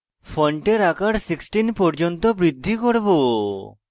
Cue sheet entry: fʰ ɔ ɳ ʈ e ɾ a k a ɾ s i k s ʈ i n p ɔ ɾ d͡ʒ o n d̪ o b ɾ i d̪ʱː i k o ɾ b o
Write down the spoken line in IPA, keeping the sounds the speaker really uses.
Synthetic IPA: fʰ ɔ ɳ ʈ e ɾ a k a ɾ s i k s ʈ i n p ɔ ɾ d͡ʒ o n t̪ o b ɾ i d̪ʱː i k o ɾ b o